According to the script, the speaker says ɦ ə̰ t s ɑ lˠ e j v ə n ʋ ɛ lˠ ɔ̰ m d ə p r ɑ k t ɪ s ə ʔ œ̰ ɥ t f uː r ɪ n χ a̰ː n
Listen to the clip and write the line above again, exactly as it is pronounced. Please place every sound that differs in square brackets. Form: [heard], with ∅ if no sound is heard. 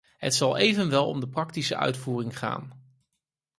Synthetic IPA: ɦ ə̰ t s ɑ lˠ e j v ə n ʋ ɛ lˠ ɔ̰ m d ə p r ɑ k t [i] s ə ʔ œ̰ ɥ t f uː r ɪ [ŋ] χ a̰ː n